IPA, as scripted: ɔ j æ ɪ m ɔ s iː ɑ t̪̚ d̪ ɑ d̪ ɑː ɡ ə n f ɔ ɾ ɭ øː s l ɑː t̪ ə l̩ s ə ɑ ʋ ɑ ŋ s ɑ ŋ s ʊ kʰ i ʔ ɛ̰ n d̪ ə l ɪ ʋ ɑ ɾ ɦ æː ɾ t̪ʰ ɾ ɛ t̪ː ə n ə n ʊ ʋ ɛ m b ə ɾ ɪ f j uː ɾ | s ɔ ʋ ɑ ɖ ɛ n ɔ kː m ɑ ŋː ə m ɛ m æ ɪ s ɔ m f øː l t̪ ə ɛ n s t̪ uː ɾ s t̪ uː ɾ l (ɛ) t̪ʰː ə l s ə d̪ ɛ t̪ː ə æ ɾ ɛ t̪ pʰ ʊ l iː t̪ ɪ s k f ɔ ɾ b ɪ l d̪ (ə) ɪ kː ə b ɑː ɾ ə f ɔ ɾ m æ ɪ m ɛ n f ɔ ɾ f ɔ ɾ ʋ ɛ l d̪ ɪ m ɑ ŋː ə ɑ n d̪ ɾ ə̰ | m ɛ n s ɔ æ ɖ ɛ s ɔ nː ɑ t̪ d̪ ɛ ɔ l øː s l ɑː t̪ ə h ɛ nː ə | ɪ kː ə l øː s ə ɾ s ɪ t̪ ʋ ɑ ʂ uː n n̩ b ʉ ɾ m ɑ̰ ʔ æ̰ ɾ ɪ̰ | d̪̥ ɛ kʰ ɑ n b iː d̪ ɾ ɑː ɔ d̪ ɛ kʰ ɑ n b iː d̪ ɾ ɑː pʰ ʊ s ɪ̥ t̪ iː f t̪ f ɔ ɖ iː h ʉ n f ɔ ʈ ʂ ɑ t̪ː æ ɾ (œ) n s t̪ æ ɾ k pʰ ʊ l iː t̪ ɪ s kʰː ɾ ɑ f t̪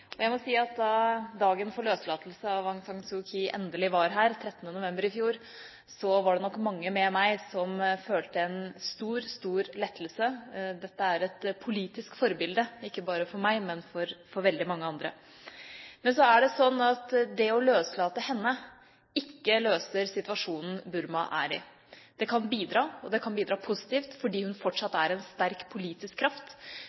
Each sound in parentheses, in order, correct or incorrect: correct, correct, incorrect

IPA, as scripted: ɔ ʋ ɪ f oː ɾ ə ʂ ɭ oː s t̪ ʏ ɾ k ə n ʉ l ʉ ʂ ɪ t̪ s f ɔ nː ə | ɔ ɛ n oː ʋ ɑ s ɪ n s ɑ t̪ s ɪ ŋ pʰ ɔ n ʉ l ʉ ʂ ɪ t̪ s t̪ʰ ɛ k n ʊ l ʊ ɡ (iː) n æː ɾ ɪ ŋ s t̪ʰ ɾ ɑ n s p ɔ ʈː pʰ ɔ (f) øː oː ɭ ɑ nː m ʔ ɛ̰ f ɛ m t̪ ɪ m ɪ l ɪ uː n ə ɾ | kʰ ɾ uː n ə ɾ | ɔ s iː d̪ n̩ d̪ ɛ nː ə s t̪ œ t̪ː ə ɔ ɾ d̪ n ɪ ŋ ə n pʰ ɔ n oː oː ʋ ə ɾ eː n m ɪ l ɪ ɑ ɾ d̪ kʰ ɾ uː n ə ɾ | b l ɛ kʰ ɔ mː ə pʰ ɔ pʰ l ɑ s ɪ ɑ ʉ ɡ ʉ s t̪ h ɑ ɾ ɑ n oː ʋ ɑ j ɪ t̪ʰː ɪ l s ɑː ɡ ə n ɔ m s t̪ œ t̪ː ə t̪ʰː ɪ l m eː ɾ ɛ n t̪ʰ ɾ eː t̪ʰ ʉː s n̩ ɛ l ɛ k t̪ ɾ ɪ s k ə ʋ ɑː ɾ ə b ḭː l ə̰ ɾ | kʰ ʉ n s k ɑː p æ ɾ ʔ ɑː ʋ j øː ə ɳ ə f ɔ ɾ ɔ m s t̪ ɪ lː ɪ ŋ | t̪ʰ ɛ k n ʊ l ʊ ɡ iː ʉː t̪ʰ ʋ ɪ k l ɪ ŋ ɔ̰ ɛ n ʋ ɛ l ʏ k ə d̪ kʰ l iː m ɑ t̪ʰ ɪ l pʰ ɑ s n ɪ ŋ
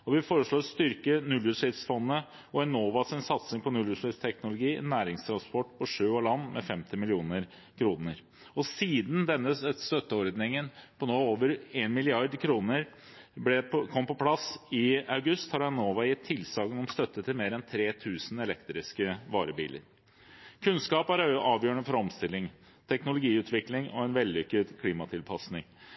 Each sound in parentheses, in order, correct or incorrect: correct, incorrect

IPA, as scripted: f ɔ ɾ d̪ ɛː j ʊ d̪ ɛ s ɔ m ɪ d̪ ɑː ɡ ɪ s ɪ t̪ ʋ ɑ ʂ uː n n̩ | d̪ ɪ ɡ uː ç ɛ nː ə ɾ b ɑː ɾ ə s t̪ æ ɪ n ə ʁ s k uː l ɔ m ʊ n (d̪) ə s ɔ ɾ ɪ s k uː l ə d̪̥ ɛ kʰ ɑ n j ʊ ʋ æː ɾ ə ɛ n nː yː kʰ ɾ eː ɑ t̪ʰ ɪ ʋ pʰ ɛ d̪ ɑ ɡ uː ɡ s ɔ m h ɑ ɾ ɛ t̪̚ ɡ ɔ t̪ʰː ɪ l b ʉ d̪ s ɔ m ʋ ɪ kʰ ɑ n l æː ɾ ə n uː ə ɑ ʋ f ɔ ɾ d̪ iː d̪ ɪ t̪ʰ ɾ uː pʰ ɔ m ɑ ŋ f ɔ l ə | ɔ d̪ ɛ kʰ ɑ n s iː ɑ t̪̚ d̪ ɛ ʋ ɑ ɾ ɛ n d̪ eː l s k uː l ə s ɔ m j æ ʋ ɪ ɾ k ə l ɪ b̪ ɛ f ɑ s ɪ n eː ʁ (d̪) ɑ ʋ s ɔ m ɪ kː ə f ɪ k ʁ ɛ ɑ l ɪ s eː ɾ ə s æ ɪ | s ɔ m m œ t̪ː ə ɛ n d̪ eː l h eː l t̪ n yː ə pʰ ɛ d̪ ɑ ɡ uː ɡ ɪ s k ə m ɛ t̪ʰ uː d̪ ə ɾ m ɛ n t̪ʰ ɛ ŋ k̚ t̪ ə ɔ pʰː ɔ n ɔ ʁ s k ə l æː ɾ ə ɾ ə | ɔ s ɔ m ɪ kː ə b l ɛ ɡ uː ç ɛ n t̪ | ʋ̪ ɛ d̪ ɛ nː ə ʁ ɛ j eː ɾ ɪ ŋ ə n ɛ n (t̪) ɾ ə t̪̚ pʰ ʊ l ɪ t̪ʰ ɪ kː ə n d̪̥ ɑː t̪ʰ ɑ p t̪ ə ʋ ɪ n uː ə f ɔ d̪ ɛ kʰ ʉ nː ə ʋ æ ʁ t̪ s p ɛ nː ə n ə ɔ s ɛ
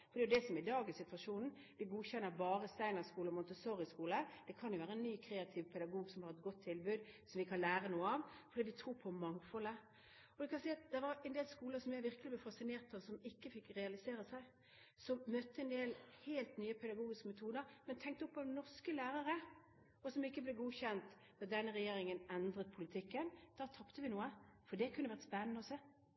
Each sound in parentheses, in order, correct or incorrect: incorrect, incorrect, incorrect

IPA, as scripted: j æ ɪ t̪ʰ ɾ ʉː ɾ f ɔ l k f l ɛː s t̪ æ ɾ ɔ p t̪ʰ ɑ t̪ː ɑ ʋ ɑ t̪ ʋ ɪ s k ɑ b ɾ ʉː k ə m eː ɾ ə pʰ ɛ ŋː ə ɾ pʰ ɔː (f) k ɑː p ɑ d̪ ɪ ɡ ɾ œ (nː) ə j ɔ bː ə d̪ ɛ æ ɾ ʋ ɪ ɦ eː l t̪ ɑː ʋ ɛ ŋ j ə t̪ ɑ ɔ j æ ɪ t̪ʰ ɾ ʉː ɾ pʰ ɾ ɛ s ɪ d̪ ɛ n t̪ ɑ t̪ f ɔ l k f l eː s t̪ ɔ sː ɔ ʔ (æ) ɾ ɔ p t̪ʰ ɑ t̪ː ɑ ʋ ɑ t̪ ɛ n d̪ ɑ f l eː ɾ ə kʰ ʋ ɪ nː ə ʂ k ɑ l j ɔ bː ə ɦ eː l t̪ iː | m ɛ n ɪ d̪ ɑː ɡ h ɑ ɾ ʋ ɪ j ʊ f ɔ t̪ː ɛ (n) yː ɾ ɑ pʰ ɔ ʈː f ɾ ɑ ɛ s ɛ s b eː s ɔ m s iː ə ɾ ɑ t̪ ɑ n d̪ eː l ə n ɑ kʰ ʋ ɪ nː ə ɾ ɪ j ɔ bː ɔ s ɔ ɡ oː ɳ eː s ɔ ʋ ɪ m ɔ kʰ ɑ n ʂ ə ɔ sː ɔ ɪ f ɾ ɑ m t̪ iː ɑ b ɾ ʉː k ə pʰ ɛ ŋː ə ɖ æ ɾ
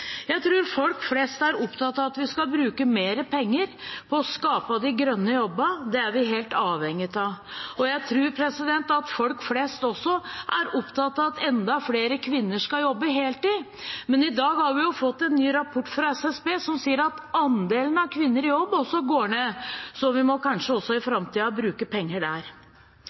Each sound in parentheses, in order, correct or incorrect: incorrect, correct, correct, incorrect

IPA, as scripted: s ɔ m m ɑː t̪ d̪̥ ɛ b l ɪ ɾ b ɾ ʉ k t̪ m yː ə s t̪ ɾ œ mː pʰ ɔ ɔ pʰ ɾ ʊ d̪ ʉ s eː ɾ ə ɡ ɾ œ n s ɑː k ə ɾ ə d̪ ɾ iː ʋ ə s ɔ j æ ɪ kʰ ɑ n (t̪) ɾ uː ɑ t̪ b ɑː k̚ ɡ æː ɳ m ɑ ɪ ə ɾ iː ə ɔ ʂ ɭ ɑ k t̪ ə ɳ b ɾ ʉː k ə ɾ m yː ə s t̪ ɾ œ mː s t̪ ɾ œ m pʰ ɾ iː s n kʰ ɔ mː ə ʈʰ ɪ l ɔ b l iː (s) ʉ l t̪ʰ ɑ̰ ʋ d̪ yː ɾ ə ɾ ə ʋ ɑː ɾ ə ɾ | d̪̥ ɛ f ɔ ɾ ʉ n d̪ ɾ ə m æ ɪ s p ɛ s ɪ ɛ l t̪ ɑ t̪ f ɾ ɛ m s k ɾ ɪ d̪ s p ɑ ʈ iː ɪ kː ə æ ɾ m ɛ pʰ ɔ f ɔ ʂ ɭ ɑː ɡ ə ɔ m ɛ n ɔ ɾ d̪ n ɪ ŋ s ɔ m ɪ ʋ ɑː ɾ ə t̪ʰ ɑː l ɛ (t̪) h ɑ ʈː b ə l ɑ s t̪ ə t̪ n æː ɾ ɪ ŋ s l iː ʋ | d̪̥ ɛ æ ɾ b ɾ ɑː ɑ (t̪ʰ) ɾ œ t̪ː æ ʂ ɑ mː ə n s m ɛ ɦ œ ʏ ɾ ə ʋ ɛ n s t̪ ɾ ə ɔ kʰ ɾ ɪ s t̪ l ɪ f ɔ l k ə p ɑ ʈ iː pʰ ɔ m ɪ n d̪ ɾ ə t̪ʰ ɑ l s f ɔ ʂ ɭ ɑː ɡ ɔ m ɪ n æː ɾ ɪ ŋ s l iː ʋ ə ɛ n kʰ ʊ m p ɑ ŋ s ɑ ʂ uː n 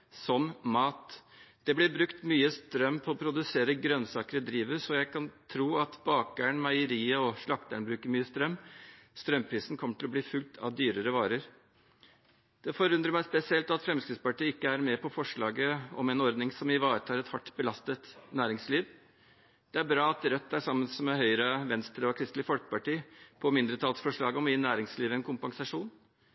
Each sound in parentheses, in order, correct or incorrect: incorrect, incorrect, correct, incorrect

